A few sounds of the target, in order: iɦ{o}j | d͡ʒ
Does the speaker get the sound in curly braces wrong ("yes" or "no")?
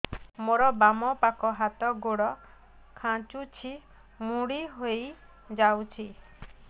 no